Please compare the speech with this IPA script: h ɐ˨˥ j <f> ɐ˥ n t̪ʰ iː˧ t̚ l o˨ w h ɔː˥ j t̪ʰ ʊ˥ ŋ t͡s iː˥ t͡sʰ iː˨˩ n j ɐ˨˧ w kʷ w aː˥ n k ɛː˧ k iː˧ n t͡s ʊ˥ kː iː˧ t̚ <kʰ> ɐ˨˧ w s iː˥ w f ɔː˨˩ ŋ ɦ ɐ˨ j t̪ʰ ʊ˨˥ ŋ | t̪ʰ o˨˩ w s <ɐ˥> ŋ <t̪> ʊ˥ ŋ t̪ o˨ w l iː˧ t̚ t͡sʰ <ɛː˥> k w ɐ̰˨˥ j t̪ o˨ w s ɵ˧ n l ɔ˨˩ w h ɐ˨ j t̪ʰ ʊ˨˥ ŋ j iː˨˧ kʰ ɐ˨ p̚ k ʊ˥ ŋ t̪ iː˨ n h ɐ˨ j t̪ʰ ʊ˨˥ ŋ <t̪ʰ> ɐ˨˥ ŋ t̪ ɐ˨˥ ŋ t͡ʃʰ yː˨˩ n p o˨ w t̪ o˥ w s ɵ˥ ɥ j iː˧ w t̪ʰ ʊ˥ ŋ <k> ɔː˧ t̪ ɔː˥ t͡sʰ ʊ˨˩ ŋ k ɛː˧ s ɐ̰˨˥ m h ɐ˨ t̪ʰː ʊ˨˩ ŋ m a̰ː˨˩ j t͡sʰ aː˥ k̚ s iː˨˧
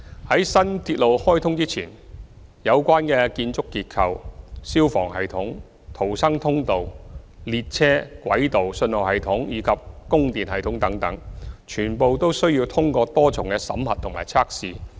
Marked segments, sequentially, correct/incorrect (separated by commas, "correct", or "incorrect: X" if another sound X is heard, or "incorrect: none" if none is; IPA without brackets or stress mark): incorrect: s, correct, correct, incorrect: t̪ʰ, correct, incorrect: t̪, correct